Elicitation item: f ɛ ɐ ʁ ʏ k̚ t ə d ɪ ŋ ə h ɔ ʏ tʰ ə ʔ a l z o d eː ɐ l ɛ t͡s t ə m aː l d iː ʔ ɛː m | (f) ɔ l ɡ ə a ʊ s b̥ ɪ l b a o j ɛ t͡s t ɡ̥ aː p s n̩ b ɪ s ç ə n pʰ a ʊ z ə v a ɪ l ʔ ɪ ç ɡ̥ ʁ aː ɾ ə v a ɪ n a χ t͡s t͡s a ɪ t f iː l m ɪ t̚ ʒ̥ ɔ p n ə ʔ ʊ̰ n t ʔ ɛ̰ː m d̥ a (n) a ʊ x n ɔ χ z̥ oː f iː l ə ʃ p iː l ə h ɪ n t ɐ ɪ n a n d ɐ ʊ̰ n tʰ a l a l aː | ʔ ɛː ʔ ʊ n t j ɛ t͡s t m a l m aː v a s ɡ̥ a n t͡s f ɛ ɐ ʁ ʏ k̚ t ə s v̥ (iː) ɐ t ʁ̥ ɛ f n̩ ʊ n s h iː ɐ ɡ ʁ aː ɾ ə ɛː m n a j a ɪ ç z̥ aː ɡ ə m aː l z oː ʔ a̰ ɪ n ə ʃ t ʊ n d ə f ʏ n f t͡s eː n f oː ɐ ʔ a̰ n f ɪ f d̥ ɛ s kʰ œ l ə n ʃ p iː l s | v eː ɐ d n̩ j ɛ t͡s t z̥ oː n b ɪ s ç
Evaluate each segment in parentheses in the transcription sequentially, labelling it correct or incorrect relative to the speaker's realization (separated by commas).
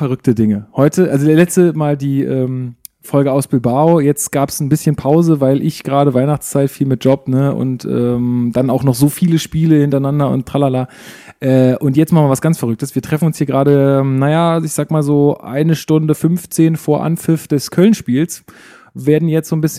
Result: correct, correct, correct